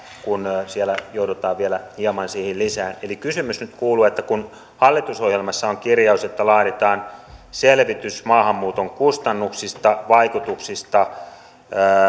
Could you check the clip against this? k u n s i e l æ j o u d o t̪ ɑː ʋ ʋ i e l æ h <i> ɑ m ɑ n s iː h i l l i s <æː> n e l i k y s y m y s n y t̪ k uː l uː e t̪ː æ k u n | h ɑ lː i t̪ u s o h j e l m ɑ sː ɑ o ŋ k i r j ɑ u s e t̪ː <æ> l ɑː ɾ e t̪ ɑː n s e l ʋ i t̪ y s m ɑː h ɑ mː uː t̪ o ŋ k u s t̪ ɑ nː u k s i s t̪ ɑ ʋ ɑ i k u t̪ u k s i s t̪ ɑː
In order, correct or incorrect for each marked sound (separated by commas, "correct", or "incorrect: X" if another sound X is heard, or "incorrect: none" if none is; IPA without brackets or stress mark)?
correct, correct, correct